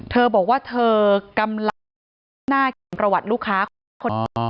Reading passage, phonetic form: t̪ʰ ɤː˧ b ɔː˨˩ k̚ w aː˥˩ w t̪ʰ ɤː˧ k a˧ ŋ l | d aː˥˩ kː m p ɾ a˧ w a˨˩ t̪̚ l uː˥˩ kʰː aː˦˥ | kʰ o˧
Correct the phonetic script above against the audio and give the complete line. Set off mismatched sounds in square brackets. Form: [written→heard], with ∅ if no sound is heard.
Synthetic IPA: t̪ʰ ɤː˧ b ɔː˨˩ k̚ w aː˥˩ [w→∅] t̪ʰ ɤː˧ k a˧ [ŋ→m] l | [d→n] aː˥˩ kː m p ɾ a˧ w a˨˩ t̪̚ l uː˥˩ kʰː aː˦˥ | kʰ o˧